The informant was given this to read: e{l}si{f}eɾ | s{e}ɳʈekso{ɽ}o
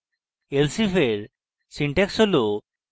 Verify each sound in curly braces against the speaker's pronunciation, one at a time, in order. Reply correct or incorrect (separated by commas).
correct, correct, incorrect, incorrect